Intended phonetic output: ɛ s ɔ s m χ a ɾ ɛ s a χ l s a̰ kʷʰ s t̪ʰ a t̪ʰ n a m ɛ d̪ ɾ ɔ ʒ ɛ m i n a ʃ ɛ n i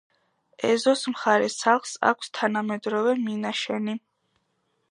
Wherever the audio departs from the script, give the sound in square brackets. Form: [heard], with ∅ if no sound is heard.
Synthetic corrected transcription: ɛ [z] ɔ s m χ a ɾ ɛ s a χ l s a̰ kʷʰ s t̪ʰ a [∅] n a m ɛ d̪ ɾ ɔ [v] ɛ m i n a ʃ ɛ n i